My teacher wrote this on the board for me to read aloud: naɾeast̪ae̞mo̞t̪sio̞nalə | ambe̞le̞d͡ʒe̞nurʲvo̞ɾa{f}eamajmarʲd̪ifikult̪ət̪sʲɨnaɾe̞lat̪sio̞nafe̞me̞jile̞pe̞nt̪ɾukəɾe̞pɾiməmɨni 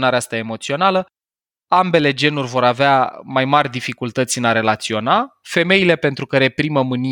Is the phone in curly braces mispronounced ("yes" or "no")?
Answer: yes